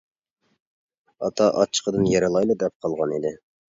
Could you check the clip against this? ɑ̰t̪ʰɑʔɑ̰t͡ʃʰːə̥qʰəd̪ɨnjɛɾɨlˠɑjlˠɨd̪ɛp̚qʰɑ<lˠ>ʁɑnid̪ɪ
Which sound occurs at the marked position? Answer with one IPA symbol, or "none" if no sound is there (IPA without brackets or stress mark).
lˠ